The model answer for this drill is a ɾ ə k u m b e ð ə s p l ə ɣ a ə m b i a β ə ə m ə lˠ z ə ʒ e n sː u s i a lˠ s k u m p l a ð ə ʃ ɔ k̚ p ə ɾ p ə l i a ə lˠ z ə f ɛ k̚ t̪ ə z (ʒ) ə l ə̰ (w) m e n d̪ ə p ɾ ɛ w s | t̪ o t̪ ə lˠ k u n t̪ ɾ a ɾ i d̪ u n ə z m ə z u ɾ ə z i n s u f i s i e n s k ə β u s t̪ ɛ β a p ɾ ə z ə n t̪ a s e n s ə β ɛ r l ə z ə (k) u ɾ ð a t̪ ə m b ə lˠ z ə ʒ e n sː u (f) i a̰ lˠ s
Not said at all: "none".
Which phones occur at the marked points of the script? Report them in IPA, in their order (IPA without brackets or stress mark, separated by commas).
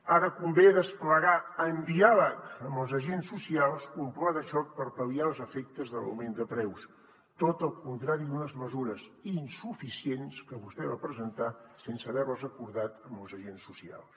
ð, w, k, s